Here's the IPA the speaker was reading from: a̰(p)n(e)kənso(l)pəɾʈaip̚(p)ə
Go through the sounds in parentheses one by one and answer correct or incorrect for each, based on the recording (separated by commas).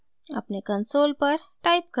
correct, correct, correct, incorrect